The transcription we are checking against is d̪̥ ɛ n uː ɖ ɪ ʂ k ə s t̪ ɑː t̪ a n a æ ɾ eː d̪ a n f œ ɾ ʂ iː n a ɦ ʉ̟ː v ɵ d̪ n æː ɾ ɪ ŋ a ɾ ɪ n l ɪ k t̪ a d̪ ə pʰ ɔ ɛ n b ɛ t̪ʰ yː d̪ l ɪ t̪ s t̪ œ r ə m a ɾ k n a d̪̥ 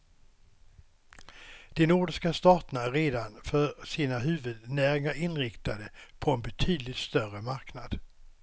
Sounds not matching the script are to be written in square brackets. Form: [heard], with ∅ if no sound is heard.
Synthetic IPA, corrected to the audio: d̪̥ ɛ n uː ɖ ɪ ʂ k [a] s t̪ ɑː t̪ [ə] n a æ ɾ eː d̪ a n f œ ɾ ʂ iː n a ɦ ʉ̟ː v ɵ d̪ n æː ɾ ɪ ŋ a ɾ ɪ n [ɾ] ɪ k t̪ a d̪ ə pʰ ɔ ɛ n b ɛ t̪ʰ yː d̪ l ɪ t̪ s t̪ œ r ə m a ɾ k n a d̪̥